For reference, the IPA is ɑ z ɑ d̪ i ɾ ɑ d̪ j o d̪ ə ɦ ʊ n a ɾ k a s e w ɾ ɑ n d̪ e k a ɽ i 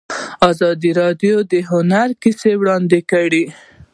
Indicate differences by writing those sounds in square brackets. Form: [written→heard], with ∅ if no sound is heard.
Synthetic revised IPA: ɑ z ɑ d̪ i ɾ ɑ d̪ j o d̪ ə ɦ ʊ n a ɾ k [a→i] s e w [ɾ→ɽ] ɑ n d̪ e k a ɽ i